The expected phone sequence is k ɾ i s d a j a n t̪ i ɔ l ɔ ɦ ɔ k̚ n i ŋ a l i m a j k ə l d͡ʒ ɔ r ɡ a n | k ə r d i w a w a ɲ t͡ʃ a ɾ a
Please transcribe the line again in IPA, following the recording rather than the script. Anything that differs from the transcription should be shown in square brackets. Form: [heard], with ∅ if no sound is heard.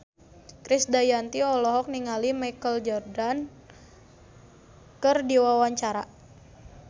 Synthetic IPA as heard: k ɾ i s d a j a n t̪ i ɔ l ɔ ɦ ɔ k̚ n i ŋ a l i m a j k ə l d͡ʒ ɔ r [d] a n | k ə r d i w a w a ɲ t͡ʃ a ɾ a